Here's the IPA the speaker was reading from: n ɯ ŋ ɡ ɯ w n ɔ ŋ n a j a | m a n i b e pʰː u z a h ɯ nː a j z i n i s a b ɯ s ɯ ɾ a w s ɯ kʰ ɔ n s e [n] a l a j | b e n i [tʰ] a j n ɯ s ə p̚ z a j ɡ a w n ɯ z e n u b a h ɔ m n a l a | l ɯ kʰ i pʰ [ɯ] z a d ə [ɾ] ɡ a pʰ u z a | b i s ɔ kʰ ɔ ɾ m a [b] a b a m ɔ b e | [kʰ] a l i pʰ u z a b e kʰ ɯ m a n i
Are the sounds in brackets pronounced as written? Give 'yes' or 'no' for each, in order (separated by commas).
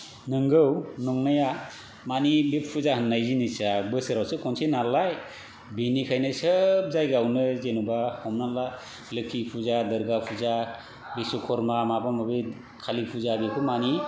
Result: yes, no, no, yes, no, yes